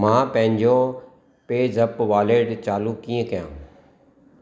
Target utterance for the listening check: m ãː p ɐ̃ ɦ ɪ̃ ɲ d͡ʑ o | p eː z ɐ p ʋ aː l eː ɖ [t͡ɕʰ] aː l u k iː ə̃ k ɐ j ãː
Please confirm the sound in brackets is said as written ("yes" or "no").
no